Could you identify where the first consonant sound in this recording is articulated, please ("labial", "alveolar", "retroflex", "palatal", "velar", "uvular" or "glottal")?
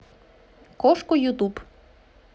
velar